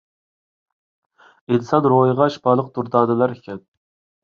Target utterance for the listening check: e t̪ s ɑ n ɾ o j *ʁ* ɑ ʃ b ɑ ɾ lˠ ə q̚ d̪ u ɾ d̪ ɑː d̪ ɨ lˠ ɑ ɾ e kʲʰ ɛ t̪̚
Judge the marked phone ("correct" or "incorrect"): correct